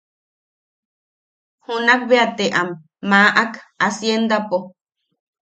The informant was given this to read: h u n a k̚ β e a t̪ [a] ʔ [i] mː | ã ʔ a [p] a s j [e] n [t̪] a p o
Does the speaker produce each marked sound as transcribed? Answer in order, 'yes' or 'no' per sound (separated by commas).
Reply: no, no, no, yes, no